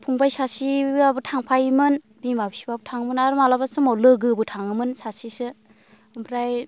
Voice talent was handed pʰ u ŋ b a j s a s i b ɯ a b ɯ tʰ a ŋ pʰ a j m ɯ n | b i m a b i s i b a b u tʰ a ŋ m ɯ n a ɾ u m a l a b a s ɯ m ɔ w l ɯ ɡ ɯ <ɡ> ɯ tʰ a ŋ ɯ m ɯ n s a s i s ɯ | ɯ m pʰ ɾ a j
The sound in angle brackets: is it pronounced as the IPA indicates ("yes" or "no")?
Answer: no